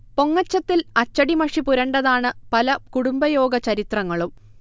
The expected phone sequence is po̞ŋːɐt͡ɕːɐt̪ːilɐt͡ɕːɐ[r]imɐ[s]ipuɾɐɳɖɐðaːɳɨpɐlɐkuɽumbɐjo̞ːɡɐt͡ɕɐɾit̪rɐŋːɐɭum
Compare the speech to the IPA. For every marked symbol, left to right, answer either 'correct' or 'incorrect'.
incorrect: ɽ, incorrect: ʂ

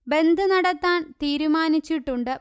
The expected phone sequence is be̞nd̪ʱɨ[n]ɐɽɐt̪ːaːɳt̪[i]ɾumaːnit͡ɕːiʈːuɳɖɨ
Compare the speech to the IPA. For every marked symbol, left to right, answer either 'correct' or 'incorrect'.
correct, incorrect: iː

